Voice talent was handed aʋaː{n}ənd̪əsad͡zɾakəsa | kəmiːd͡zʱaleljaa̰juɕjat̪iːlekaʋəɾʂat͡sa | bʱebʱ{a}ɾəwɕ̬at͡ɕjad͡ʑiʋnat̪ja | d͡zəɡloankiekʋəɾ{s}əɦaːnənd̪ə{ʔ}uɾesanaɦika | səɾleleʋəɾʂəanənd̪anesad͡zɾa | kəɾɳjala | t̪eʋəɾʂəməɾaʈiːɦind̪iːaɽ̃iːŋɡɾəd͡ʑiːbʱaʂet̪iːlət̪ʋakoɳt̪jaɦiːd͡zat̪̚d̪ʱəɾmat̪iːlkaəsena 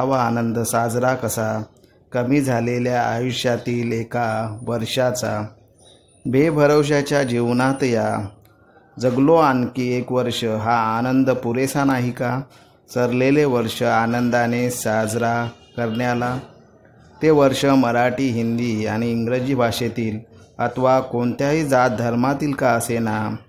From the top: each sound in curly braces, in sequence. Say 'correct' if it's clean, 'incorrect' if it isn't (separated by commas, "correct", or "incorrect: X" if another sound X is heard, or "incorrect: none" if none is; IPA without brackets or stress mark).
correct, incorrect: ə, incorrect: ʂ, incorrect: p